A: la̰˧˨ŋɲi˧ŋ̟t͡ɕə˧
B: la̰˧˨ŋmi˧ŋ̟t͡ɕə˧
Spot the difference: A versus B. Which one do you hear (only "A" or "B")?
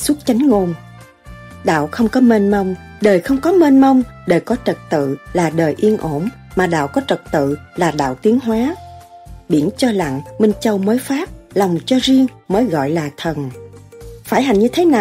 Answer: B